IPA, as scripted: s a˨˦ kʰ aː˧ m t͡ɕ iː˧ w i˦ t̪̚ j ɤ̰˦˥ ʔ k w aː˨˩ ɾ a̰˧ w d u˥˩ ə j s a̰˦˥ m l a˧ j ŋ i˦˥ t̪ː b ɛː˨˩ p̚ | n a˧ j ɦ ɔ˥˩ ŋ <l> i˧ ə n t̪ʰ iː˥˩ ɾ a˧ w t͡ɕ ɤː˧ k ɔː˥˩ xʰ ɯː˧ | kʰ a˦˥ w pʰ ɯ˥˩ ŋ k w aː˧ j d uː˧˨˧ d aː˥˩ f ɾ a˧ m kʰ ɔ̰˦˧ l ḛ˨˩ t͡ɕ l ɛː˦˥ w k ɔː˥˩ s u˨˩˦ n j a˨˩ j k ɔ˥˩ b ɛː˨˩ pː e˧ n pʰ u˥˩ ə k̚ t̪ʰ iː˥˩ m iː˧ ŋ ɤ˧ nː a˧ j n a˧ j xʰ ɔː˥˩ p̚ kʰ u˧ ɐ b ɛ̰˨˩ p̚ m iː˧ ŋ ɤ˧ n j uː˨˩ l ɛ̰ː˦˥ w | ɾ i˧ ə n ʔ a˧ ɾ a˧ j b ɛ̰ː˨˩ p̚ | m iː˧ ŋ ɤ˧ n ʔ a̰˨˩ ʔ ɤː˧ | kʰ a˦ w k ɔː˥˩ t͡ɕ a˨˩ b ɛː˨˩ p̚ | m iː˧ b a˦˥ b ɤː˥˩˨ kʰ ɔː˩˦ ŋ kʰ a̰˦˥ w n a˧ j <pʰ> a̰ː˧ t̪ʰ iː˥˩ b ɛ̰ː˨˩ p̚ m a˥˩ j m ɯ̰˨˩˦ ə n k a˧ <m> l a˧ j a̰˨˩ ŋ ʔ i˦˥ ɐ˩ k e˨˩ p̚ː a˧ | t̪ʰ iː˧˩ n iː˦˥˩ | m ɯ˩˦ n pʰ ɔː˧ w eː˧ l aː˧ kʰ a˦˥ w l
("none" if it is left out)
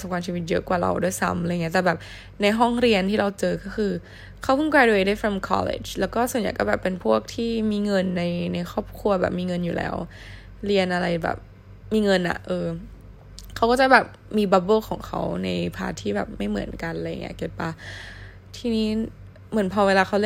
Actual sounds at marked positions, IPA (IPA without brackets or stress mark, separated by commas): ɾ, pʰ, n